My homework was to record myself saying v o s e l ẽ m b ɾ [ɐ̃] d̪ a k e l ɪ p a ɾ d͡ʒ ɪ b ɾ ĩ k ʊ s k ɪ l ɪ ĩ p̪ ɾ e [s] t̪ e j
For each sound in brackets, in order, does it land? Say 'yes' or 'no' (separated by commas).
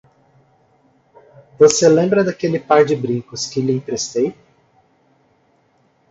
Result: no, yes